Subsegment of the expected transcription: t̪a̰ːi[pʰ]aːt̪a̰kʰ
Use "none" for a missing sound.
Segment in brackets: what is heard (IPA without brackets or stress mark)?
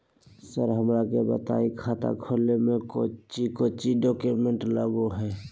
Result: kʰ